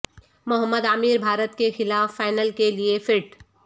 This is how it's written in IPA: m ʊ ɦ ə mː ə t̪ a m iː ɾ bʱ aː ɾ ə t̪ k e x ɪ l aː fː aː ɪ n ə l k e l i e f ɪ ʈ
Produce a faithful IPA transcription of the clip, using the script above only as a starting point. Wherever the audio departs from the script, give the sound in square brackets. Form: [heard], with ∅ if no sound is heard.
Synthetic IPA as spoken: m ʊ ɦ ə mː ə [d̪] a m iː ɾ bʱ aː ɾ ə t̪ k e x ɪ l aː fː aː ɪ n ə l k e l i e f ɪ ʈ

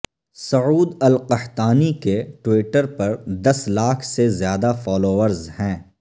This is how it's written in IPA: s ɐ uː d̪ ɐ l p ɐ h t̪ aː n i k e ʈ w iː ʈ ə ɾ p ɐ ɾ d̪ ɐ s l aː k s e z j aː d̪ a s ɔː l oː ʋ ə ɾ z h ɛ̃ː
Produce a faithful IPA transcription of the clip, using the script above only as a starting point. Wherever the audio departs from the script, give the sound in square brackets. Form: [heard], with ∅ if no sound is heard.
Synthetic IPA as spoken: s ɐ uː d̪ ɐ l [q] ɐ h t̪ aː n i k e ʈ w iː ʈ ə ɾ p ɐ ɾ d̪ ɐ s l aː [kʰ] s e z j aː d̪ a [f] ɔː l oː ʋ ə ɾ z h ɛ̃ː

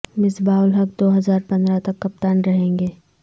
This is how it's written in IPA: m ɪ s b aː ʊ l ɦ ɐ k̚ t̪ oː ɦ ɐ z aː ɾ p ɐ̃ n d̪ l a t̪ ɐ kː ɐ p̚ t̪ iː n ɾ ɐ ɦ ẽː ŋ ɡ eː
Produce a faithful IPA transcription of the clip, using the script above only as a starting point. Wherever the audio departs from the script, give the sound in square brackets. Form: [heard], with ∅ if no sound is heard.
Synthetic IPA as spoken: m ɪ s b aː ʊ l ɦ ɐ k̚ [d̪] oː ɦ ɐ z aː ɾ p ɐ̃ n d̪ [ɾ] a t̪ ɐ kː ɐ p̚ t̪ [aː] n ɾ ɐ ɦ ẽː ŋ ɡ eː

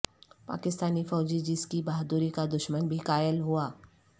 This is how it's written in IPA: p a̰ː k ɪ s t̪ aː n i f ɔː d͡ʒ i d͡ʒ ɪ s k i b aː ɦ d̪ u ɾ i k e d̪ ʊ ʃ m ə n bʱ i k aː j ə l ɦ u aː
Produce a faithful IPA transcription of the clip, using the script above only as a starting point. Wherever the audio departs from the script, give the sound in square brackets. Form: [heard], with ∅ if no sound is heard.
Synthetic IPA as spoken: p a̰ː k ɪ s t̪ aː n i f ɔː d͡ʒ i d͡ʒ ɪ s k i b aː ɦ d̪ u ɾ i k [a] d̪ ʊ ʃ m ə n bʱ i k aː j ə l ɦ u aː

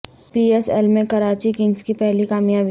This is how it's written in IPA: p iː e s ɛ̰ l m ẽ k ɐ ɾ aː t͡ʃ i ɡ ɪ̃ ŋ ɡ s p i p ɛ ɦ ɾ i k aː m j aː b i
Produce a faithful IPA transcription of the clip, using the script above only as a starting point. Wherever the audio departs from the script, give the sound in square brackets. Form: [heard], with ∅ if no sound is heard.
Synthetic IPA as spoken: p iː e s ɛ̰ l m ẽ k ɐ ɾ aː t͡ʃ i [k] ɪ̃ ŋ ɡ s [k] i p ɛ ɦ [l] i k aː m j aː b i

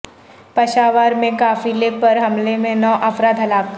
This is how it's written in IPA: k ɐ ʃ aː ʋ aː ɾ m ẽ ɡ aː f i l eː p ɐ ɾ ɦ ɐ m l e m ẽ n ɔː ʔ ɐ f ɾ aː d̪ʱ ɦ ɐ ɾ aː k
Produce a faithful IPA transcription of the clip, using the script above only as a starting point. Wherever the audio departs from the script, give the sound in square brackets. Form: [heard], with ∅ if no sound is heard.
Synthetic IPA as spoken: [p] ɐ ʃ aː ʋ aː ɾ m ẽ [k] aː f i l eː p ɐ ɾ ɦ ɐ m l e m ẽ n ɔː ʔ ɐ f ɾ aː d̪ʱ ɦ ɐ [l] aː k

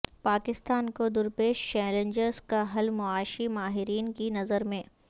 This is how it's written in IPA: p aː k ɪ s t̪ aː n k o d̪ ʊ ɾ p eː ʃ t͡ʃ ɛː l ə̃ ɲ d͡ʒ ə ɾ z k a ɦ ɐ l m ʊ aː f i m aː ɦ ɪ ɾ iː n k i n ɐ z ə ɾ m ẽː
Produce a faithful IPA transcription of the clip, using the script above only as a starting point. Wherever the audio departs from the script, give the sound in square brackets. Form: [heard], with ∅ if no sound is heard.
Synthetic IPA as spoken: p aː k ɪ s t̪ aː n k o d̪ ʊ ɾ p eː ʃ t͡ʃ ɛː l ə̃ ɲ d͡ʒ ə ɾ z k a ɦ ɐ l m ʊ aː [ʃ] i m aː ɦ ɪ ɾ iː n k i n ɐ z ə ɾ m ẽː

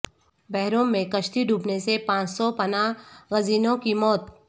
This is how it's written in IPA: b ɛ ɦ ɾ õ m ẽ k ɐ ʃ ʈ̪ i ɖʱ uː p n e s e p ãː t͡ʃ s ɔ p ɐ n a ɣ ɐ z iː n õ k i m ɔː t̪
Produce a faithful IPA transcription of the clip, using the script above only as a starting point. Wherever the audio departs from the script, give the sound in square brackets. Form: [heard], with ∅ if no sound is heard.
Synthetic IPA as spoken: b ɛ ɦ ɾ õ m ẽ k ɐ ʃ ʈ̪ i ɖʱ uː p n e s e p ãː t͡ʃ s ɔ p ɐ n a ɣ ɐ z iː n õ k i m ɔː t̪

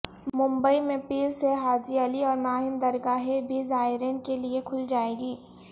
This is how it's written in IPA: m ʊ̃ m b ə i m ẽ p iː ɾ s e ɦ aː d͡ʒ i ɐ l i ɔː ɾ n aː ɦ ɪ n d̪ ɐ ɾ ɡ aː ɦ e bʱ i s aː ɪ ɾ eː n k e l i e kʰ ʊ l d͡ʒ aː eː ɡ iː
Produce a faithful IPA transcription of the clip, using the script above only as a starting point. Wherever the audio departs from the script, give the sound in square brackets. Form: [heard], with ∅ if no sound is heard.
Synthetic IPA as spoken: m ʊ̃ m b ə i m ẽ p iː ɾ s e ɦ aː d͡ʒ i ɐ l i ɔː ɾ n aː ɦ ɪ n d̪ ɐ ɾ ɡ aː ɦ e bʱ i [z] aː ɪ ɾ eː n k e l i e kʰ ʊ l d͡ʒ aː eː ɡ iː

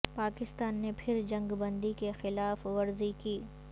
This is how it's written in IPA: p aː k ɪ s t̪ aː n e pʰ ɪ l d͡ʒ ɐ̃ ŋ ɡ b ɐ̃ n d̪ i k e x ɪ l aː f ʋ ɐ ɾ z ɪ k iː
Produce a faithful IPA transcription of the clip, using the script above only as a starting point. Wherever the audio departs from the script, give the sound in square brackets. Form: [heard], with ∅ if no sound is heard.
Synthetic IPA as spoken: p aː k ɪ s t̪ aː [nː] e pʰ ɪ [ɾ] d͡ʒ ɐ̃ ŋ ɡ b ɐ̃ n d̪ i k e x ɪ l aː f ʋ ɐ ɾ z [i] k iː

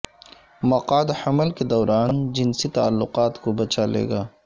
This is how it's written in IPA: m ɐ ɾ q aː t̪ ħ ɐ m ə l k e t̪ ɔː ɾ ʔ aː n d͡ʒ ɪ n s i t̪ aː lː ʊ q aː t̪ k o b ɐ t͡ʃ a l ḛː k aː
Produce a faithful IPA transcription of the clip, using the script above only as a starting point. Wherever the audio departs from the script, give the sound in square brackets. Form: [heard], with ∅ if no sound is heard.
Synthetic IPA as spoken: m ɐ [∅] q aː [d̪] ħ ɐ m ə l k e [d̪] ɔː ɾ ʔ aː n d͡ʒ ɪ n s i t̪ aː lː ʊ q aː t̪ k o b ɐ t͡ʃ a l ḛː [ɡ] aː

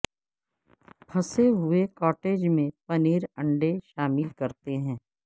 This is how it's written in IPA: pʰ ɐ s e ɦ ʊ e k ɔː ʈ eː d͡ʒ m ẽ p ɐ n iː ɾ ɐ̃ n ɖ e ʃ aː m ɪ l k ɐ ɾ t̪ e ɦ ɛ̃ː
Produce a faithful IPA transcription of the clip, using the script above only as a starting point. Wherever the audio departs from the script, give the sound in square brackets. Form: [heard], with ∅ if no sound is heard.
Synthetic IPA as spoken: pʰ ɐ s e ɦ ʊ e k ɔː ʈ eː d͡ʒ m ẽ p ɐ n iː ɾ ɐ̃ [ɳ] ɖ e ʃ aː m ɪ l k ɐ ɾ t̪ e ɦ ɛ̃ː

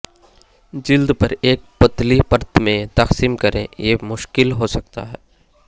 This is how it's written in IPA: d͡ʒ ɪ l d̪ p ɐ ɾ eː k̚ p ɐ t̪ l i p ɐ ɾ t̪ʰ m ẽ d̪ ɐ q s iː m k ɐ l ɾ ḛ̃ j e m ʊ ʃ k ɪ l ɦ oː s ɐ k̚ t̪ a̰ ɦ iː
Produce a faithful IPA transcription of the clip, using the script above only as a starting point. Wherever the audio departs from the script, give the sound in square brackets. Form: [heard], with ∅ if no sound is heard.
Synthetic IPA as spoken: d͡ʒ ɪ l d̪ p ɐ ɾ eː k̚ p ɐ t̪ l i p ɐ ɾ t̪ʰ m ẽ [t̪] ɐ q s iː m k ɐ [∅] ɾ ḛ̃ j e m ʊ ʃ k ɪ l ɦ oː s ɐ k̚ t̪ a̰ ɦ [ɛː]

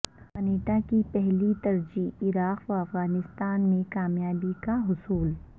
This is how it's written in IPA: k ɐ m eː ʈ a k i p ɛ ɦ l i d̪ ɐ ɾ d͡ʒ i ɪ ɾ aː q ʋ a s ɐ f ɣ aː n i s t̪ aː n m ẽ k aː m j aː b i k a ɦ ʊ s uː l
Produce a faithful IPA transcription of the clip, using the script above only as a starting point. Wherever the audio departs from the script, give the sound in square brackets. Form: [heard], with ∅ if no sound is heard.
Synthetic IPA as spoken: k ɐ [n] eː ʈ a k i p ɛ ɦ l i [t̪] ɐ ɾ d͡ʒ i ɪ ɾ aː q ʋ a [∅] ɐ f ɣ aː n [ɪ] s t̪ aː n m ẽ k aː m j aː b i k a ɦ ʊ s uː l

